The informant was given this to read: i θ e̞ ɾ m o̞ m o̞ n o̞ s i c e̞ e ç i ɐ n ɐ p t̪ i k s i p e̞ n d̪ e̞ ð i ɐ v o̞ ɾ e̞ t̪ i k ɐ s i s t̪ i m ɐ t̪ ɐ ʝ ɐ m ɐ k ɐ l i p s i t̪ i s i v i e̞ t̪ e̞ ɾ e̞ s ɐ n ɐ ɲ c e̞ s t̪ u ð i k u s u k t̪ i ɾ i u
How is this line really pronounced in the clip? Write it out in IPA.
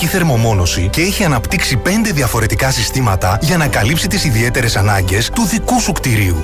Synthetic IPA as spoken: i θ e̞ ɾ m o̞ m o̞ n o̞ s i c e̞ e ç i ɐ n ɐ p t̪ i k s i p e̞ n d̪ e̞ ð i ɐ f o̞ ɾ e̞ t̪ i k ɐ s i s t̪ i m ɐ t̪ ɐ ʝ ɐ n ɐ k ɐ l i p s i t̪ i s i ð i e̞ t̪ e̞ ɾ e̞ s ɐ n ɐ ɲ ɟ e̞ s t̪ u ð i k u s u k t̪ i ɾ i u